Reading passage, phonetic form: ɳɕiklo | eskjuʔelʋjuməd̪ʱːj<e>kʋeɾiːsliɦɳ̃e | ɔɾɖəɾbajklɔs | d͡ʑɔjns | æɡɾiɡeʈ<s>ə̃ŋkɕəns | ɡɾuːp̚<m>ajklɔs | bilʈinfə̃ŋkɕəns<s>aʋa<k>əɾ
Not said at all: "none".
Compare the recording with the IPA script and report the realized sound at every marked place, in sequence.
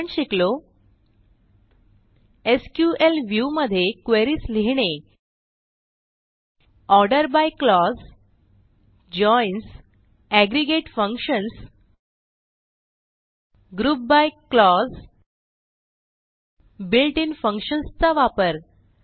e, f, b, t͡s, p

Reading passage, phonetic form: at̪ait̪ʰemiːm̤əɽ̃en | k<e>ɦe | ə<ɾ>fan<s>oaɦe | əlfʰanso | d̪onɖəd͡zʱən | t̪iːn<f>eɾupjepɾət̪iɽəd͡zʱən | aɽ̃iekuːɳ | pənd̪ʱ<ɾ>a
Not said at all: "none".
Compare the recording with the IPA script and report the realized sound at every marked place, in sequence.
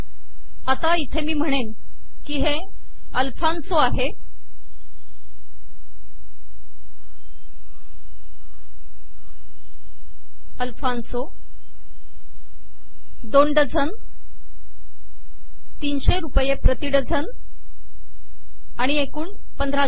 i, l, s, ɕ, ɾ

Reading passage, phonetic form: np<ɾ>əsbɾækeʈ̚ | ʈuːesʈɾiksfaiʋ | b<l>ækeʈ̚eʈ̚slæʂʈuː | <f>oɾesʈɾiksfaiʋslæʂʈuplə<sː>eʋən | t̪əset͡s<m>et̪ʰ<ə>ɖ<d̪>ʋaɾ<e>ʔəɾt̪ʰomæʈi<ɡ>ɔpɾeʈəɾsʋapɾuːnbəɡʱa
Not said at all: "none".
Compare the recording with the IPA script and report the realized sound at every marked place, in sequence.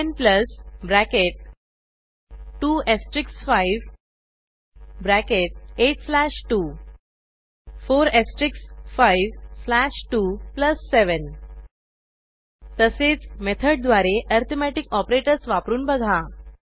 l, ɾ, f, sː, m, ə, d̪, e, k

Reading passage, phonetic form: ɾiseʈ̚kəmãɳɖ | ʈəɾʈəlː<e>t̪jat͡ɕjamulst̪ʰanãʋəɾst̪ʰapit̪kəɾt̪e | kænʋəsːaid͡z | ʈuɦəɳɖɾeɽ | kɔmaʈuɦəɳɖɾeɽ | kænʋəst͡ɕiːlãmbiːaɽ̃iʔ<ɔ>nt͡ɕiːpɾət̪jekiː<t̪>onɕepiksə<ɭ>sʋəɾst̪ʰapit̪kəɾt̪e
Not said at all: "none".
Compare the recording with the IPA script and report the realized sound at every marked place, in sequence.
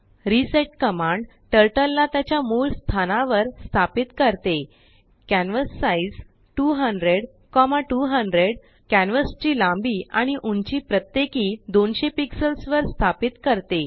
a, u, d̪, l

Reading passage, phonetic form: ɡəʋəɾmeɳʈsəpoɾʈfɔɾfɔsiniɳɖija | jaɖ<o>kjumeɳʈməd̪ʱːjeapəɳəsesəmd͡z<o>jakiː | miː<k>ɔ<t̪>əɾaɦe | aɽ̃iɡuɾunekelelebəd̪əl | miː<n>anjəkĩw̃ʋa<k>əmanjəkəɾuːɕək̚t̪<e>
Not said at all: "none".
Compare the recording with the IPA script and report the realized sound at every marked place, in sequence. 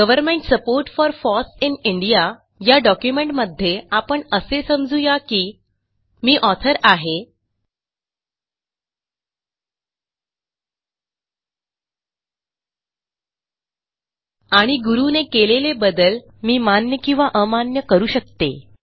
ɔ, u, ʔ, t̪ʰ, m, ʔ, e

